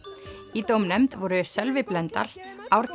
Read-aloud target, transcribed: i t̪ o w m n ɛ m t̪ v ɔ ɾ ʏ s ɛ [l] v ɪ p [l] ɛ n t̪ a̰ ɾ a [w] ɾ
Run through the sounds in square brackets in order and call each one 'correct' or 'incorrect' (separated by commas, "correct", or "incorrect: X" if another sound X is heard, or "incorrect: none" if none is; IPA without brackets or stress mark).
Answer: correct, correct, correct